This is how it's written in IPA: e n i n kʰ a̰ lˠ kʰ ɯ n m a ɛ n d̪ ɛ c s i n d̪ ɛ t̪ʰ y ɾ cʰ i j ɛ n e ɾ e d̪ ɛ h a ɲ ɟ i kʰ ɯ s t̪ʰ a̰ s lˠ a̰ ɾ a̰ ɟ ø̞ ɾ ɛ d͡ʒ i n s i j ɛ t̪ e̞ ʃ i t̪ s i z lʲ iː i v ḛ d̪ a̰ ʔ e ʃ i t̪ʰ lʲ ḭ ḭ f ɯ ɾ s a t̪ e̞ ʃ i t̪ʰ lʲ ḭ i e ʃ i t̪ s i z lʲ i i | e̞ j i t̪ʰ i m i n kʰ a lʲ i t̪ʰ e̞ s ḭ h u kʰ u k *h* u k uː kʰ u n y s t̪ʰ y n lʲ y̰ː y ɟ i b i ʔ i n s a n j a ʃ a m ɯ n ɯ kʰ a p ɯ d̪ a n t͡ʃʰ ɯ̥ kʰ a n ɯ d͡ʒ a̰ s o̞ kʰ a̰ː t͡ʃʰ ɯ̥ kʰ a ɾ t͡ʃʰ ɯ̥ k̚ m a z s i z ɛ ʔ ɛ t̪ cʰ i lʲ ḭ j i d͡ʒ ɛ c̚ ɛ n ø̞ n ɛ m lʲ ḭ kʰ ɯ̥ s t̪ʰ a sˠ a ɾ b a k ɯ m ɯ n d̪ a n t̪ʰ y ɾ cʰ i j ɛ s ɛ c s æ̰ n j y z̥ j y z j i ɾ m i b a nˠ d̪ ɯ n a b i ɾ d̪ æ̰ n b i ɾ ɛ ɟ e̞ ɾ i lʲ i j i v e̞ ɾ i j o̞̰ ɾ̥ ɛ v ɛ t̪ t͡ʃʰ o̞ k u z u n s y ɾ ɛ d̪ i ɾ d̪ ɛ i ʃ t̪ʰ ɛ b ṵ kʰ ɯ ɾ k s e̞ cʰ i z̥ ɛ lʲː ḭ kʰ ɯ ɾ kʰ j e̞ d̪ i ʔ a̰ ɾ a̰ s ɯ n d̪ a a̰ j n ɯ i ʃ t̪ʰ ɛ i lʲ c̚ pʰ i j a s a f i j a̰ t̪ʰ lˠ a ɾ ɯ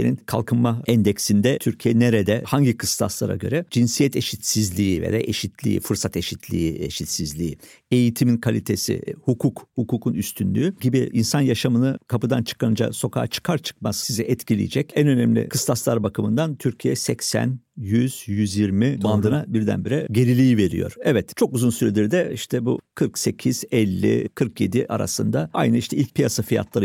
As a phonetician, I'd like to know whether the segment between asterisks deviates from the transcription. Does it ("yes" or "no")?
no